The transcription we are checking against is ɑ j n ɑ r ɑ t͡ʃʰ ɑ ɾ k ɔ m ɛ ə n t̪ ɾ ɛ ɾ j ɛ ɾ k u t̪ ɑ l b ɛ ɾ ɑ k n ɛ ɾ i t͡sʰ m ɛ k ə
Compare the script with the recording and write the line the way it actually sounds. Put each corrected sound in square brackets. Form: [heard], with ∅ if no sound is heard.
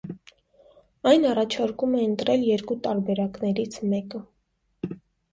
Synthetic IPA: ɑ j n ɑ r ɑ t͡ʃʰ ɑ ɾ k [u] m ɛ ə n t̪ ɾ ɛ [l] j ɛ ɾ k u t̪ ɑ [ɾ] b ɛ ɾ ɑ k n ɛ ɾ i t͡sʰ m ɛ k ə